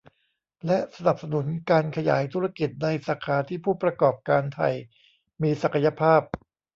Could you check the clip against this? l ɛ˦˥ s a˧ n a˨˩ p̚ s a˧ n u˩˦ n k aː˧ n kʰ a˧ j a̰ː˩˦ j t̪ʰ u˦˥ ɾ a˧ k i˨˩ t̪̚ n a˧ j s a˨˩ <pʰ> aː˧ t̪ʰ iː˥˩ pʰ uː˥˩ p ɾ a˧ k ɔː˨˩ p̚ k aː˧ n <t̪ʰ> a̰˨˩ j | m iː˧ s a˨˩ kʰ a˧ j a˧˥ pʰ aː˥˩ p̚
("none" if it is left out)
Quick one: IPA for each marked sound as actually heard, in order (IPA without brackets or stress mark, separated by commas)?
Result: kʰ, t̪ʰ